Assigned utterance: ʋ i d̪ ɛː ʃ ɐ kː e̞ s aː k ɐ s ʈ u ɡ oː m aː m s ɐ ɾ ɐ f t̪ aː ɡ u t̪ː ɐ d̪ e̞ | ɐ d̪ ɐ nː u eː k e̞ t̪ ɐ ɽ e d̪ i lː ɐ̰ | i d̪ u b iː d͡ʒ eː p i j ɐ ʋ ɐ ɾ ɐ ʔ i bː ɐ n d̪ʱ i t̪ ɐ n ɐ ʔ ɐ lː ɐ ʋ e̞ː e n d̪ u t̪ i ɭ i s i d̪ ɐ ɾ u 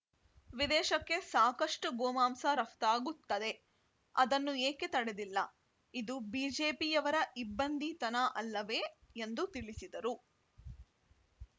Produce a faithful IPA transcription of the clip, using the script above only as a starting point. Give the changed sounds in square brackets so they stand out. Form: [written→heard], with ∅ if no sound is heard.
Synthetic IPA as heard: ʋ i d̪ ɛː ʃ ɐ kː e̞ s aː k ɐ [s→ʂ] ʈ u ɡ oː m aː m s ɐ ɾ ɐ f t̪ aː ɡ u t̪ː ɐ d̪ e̞ | ɐ d̪ ɐ nː u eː k e̞ t̪ ɐ ɽ e d̪ i lː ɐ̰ | i d̪ u b iː d͡ʒ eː p i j ɐ ʋ ɐ ɾ ɐ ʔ i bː ɐ n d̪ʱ i t̪ ɐ n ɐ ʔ ɐ lː ɐ ʋ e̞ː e n d̪ u t̪ i ɭ i s i d̪ ɐ ɾ u